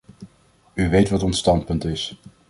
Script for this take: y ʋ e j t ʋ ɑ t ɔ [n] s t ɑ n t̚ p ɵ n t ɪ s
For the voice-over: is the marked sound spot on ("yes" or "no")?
yes